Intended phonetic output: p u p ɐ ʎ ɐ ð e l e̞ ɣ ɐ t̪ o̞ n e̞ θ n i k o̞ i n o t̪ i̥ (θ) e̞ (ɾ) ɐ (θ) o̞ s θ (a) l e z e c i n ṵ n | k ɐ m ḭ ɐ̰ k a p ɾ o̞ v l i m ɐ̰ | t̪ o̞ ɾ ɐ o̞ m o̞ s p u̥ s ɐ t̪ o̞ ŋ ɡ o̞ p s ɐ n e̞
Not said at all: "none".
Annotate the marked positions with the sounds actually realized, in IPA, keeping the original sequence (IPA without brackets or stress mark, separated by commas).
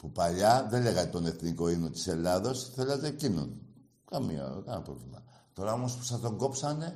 s, l, ð, e